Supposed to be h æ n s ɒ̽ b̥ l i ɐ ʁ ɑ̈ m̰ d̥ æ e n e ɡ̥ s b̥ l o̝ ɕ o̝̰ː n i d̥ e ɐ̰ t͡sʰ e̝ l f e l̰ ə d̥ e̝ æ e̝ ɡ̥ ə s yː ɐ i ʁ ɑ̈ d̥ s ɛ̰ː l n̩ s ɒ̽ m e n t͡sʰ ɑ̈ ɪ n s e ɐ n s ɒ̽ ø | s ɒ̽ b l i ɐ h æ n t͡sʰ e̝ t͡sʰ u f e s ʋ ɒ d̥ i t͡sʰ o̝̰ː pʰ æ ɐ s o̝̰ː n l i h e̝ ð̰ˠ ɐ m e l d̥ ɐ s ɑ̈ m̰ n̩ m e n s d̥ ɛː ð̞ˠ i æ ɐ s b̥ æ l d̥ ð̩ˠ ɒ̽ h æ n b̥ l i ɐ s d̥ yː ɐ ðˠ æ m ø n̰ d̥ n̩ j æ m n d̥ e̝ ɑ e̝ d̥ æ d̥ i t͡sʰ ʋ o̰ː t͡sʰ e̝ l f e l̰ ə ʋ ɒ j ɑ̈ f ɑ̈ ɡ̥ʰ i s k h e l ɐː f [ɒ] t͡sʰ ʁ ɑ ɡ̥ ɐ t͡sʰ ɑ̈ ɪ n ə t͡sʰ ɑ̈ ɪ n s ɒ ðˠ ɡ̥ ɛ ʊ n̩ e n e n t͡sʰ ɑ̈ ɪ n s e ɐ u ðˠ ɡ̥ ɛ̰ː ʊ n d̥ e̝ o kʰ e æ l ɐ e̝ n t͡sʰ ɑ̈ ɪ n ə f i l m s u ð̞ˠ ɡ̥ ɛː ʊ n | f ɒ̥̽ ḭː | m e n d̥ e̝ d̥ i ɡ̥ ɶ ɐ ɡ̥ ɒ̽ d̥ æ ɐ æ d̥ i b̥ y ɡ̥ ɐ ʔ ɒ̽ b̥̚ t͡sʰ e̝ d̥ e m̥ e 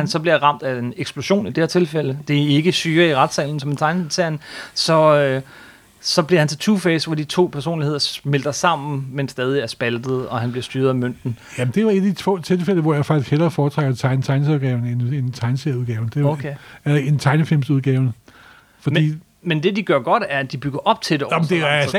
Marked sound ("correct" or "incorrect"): incorrect